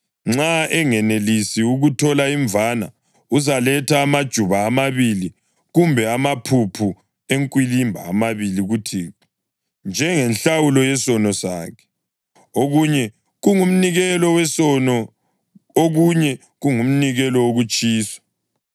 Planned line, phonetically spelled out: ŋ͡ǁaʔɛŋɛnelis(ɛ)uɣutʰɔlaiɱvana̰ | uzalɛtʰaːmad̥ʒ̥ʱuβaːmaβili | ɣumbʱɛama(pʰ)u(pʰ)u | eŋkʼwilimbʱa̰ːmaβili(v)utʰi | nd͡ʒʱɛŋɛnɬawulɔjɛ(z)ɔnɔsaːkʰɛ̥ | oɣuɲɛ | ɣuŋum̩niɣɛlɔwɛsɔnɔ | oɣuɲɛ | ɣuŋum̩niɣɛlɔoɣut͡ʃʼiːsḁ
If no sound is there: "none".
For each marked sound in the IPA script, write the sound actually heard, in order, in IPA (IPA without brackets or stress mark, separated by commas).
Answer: i, pʰ, pʰ, ɣ, s